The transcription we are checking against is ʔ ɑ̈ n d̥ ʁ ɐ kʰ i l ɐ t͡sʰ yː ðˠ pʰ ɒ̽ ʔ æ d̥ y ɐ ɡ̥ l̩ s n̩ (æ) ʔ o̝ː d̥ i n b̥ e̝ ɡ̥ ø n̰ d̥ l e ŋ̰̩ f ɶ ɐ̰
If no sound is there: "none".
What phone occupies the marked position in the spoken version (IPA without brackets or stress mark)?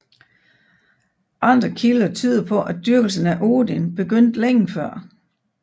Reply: æ